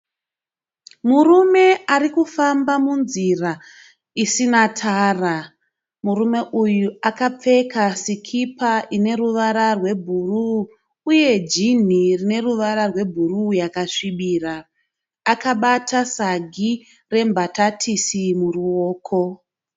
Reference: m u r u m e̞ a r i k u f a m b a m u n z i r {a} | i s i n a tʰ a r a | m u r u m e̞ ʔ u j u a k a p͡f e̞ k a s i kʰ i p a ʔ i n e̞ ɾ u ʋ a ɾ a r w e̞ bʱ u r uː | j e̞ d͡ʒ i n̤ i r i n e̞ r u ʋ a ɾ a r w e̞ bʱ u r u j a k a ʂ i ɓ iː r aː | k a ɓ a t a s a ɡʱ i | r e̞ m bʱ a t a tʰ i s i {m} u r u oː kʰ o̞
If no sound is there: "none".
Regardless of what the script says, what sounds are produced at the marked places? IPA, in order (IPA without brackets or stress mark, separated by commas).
a, m